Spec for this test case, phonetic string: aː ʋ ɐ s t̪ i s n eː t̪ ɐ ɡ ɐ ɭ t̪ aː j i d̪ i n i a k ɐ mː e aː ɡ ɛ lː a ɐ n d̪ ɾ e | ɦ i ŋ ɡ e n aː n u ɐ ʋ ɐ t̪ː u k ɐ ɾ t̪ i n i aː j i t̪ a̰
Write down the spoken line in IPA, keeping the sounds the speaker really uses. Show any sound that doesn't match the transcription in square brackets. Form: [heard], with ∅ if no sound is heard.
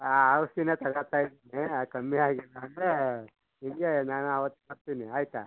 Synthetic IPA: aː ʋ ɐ s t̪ i [∅] n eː t̪ ɐ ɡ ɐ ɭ t̪ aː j i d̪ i n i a k ɐ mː [i] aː ɡ [i] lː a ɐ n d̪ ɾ e | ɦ i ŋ ɡ e n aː n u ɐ ʋ ɐ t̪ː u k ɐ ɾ t̪ i n i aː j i t̪ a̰